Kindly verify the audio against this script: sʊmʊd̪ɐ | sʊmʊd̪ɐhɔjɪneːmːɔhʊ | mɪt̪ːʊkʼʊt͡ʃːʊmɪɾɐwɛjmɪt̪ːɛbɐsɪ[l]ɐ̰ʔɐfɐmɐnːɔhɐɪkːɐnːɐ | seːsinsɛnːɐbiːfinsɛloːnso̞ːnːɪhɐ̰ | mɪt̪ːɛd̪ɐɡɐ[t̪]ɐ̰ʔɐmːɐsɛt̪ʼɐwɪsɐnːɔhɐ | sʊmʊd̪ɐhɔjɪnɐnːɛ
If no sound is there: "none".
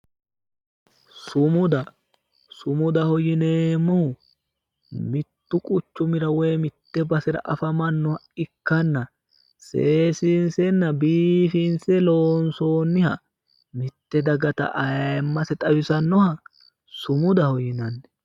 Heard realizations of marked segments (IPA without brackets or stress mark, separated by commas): ɾ, t̪